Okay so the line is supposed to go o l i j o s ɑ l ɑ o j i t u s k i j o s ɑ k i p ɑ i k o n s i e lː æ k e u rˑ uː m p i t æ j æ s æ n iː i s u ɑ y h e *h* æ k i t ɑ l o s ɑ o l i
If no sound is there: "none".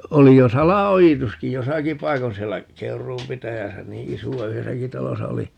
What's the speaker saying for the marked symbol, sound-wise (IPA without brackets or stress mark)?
s